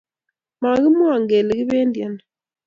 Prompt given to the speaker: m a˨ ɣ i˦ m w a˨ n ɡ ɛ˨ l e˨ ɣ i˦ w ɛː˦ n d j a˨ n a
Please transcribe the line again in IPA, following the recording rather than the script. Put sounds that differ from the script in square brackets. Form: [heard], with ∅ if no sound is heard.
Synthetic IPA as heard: m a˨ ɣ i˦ m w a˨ [ŋ] ɡ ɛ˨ l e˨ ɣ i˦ [β] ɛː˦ n d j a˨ n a

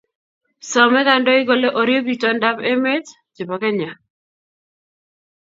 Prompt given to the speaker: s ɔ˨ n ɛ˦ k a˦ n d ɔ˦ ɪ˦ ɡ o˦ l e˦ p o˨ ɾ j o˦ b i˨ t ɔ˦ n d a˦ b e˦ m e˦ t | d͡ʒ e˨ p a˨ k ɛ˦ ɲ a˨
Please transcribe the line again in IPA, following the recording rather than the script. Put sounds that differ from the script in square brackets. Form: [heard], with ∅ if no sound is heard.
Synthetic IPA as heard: s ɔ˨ [m] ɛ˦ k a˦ n d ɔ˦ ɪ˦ ɡ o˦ l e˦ [ʔ] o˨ ɾ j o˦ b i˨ t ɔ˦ n d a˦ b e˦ m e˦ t | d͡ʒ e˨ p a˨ k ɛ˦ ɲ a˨

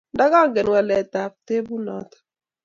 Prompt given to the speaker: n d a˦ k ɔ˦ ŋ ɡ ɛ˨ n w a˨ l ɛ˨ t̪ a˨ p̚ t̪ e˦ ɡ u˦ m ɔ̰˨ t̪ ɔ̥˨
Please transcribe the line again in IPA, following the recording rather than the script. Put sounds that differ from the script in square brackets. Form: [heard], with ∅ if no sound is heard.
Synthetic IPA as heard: n d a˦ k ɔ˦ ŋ ɡ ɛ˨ n w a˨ l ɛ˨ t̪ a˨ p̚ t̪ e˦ [b] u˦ [n] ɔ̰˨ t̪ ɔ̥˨

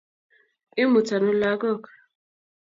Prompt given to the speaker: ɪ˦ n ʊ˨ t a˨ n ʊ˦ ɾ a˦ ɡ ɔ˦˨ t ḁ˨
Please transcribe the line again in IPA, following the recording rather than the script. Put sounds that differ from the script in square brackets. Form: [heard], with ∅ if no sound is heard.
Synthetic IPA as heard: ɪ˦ [m] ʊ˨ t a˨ n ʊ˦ [l] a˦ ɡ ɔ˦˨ [k] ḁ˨

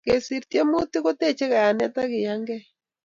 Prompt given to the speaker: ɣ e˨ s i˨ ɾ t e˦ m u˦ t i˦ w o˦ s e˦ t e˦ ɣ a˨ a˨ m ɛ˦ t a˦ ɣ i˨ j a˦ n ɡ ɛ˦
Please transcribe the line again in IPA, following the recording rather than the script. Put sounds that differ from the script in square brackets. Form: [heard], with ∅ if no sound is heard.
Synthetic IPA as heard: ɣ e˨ s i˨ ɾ t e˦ m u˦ t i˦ [ɣ] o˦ [t] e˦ [t͡ʃ] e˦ ɣ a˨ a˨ [n] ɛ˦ t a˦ ɣ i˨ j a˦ [ŋ] ɡ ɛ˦

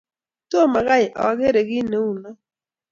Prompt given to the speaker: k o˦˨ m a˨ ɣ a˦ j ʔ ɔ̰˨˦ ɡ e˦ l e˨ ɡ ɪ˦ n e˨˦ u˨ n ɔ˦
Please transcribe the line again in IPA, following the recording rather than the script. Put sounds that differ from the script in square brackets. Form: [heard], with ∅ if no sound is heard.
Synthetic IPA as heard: [t] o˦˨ m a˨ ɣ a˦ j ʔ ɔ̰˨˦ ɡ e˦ [ɾ] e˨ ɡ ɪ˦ n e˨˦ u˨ n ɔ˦

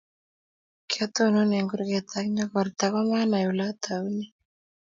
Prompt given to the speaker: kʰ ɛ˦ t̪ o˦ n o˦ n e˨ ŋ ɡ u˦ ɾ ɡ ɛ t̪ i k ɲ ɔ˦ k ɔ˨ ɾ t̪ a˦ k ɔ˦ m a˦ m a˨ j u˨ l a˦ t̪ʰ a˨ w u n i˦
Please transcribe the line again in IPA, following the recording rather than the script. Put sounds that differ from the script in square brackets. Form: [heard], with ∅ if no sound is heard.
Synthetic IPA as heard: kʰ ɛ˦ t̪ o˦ n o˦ n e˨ ŋ ɡ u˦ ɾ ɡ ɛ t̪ [a] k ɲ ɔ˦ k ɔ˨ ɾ t̪ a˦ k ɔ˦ m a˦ [n] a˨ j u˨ l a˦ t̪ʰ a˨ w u n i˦

